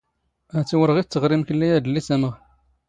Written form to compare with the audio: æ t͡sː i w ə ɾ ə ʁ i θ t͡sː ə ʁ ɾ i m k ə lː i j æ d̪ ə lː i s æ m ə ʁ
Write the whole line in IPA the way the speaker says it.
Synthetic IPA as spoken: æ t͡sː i w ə ɾ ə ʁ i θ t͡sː ə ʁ ɾ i m k ə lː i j æ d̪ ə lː i s æ m ə ʁ